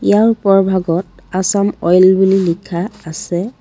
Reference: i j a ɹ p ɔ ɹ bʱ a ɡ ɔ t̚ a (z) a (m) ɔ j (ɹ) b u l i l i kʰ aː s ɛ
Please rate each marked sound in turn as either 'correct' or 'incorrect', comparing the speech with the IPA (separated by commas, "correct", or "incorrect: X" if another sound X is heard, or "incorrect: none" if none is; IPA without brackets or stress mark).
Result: incorrect: s, correct, incorrect: l